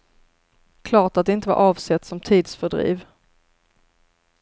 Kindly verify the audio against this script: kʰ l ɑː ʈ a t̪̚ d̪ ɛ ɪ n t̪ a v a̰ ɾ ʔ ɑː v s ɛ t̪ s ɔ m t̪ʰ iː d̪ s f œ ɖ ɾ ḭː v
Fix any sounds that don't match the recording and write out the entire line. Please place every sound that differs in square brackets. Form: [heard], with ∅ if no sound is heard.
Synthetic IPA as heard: kʰ l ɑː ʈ a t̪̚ d̪ ɛ ɪ n t̪ [ə] v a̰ ɾ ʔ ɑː v s ɛ t̪ s ɔ m t̪ʰ iː d̪ s f œ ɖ ɾ ḭː v